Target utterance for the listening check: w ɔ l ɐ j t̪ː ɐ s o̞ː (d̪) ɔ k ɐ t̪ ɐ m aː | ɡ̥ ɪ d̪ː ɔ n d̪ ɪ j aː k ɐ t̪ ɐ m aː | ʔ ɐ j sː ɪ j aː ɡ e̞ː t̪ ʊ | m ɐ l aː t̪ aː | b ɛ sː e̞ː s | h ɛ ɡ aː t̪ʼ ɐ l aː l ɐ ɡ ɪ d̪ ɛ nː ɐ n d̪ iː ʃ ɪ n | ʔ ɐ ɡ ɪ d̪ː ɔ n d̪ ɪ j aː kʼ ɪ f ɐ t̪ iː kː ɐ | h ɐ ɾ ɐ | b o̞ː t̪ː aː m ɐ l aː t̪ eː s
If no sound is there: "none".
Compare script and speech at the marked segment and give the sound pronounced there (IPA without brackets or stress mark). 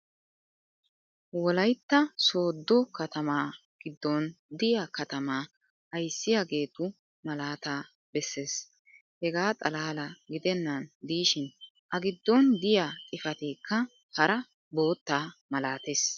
d̪ː